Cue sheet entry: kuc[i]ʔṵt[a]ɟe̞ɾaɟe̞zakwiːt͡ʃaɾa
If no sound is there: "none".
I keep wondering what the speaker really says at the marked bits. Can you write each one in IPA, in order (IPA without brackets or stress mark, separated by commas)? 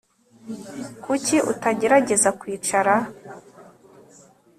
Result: i, a